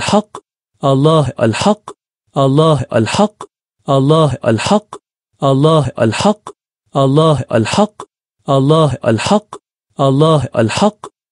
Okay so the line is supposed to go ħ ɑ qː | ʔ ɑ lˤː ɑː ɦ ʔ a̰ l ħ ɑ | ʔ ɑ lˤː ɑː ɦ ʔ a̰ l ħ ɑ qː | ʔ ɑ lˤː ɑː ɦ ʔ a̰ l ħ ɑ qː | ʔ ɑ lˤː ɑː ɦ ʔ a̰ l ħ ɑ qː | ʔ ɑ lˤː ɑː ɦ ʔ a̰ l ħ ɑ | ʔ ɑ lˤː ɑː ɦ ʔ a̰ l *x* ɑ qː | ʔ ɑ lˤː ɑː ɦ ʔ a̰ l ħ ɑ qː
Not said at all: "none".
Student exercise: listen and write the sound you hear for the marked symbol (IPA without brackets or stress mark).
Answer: ħ